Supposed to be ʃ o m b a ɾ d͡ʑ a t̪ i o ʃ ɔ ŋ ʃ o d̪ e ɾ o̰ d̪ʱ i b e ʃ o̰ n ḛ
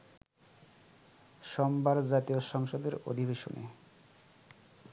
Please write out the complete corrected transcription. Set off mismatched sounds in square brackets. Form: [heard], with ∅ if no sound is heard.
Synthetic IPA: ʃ [ɔ] m b a ɾ d͡ʑ a t̪ i o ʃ ɔ ŋ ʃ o d̪ e ɾ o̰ d̪ʱ i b e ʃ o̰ n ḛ